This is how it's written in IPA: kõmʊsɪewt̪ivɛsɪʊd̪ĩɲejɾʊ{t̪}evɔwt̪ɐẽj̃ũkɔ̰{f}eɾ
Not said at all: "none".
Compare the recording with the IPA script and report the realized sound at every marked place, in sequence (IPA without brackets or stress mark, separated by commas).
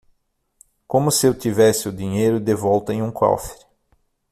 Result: d̪, f